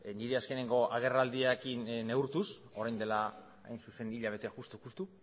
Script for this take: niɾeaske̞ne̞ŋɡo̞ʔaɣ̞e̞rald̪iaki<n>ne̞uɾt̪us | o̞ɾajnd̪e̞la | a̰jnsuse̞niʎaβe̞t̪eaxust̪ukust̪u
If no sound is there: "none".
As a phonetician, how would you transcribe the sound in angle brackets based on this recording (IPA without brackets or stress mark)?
n